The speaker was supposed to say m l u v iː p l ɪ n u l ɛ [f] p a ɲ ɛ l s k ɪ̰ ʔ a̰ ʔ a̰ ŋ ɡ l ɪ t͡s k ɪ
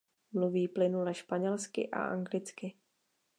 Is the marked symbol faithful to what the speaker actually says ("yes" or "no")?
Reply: no